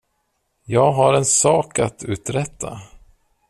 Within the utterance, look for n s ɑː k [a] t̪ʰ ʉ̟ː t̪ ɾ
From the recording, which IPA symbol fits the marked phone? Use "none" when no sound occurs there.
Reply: a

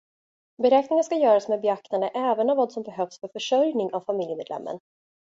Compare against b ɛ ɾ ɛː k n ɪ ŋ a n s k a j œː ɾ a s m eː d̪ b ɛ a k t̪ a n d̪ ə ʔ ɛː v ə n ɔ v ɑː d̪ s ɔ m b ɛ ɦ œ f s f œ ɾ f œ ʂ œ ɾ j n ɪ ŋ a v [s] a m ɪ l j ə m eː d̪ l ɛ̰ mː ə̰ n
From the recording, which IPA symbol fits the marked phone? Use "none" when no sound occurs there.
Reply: f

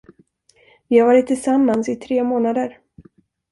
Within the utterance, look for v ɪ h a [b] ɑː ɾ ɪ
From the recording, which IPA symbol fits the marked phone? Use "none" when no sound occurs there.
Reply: v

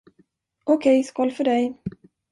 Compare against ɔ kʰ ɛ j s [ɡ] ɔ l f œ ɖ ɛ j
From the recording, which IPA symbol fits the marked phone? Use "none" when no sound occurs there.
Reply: k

